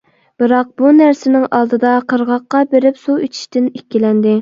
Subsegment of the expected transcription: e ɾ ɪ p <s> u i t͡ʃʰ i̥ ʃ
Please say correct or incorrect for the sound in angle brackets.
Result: correct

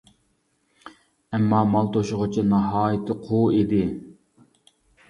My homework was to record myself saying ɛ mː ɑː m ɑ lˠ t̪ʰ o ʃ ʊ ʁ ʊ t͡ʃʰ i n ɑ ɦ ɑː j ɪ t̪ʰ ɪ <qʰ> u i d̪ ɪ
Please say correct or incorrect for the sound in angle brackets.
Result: correct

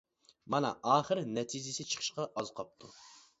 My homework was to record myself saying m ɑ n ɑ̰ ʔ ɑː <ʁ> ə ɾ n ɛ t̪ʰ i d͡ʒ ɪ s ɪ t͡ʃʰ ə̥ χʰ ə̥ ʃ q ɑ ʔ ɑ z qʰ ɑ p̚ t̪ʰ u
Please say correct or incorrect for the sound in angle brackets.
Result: incorrect: χ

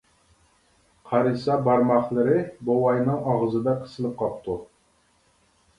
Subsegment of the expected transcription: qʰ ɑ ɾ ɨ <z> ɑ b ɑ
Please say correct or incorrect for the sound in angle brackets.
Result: incorrect: s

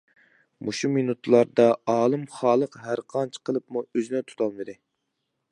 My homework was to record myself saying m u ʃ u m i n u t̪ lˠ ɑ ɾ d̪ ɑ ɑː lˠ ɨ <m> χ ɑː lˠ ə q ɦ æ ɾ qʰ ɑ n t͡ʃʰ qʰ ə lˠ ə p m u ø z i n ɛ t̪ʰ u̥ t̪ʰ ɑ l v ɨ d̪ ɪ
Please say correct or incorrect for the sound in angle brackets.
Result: correct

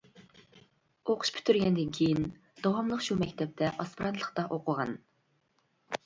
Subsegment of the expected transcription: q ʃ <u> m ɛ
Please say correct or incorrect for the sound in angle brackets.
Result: correct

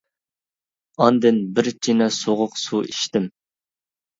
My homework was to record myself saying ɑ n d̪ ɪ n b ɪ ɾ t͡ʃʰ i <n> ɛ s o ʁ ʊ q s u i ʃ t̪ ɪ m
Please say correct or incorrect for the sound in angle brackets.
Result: correct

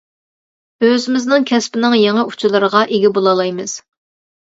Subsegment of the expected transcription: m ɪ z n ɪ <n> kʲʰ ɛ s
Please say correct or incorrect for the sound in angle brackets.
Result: incorrect: ŋ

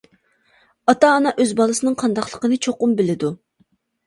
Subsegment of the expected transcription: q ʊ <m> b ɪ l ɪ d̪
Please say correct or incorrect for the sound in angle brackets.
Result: correct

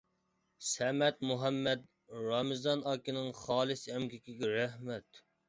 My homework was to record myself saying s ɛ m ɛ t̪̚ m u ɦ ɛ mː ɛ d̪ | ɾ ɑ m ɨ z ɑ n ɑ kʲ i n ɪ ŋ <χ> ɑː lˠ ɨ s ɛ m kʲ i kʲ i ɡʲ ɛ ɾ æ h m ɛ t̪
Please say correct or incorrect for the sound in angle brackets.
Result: correct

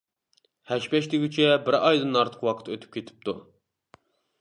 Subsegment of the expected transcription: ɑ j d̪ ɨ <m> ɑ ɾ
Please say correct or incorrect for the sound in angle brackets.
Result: incorrect: n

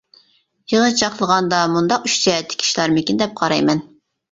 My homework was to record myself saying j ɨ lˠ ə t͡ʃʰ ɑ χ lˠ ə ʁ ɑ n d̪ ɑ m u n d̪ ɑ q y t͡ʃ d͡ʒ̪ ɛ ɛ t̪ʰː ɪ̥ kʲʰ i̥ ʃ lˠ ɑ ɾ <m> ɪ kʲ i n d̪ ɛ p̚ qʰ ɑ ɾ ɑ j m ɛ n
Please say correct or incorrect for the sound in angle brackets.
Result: correct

